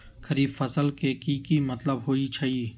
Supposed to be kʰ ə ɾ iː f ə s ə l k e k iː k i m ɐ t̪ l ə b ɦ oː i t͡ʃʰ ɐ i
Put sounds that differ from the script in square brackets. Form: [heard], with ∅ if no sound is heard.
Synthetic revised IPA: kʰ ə ɾ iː f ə s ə l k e k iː k i m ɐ t̪ l ə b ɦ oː i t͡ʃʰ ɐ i